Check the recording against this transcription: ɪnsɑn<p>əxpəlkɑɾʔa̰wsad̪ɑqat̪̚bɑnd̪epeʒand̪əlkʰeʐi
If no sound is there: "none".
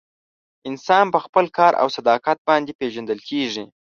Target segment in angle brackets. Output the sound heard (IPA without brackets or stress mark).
p